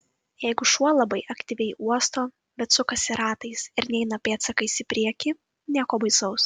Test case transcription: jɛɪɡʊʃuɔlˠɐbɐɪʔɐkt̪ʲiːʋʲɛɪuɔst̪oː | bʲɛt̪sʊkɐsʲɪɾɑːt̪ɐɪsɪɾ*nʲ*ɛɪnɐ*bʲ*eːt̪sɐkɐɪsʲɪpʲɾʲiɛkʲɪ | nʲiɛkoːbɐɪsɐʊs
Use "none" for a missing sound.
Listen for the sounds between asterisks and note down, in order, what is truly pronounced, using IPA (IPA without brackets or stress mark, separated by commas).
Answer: nʲ, pʲ